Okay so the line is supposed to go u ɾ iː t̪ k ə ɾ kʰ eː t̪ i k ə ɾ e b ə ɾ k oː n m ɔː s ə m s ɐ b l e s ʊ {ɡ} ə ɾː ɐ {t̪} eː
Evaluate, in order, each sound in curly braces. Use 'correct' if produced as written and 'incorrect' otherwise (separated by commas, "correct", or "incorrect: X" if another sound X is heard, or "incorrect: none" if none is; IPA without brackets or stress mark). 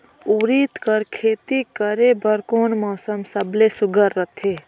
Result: correct, incorrect: t̪ʰ